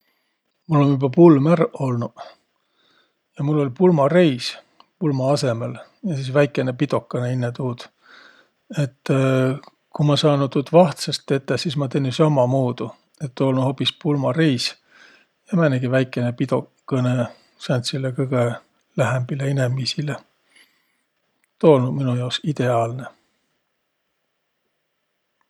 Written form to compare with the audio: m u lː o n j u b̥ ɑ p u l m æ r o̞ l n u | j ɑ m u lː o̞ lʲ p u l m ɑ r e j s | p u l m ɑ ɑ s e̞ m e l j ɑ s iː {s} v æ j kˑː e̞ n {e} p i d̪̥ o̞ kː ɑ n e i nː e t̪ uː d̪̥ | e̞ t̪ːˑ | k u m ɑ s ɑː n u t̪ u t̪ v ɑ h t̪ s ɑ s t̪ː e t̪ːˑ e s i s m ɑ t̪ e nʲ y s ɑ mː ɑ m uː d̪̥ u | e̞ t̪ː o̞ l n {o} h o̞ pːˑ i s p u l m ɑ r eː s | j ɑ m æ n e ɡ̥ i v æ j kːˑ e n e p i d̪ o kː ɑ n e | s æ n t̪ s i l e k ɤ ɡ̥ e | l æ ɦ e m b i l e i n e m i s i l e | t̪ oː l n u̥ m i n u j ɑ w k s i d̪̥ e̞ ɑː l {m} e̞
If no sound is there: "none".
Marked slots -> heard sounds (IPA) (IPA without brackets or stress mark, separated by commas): s, e, u, n